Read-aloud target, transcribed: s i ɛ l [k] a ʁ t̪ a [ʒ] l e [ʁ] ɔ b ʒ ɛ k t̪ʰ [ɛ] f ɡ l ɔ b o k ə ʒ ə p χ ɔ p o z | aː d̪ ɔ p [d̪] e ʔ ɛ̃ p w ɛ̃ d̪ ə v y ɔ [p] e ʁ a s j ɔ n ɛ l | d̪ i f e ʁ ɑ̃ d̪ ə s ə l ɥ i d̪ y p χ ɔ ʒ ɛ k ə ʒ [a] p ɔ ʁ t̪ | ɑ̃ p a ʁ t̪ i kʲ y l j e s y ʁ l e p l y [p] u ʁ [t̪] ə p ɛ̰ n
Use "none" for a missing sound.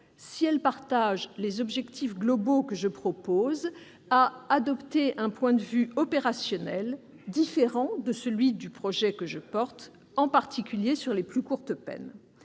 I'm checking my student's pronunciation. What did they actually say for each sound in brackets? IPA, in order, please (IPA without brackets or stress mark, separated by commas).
p, ʒ, z, i, t̪, p, ə, k, t̪